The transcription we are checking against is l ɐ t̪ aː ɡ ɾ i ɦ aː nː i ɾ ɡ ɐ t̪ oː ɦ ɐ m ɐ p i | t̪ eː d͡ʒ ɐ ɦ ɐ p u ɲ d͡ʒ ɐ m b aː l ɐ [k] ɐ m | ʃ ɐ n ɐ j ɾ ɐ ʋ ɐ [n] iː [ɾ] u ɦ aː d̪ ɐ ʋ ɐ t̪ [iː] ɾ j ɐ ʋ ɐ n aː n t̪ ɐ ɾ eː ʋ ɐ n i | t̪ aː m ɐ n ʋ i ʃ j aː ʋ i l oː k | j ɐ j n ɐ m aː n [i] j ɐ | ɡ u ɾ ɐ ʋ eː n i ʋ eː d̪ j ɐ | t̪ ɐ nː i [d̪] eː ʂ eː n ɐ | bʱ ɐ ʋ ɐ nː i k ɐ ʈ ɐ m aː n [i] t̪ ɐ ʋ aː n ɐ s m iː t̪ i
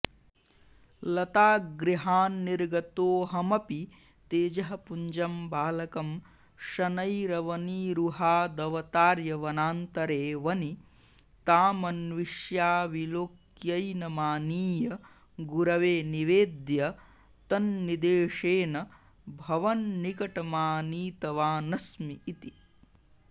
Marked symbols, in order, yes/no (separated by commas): yes, yes, yes, no, no, yes, no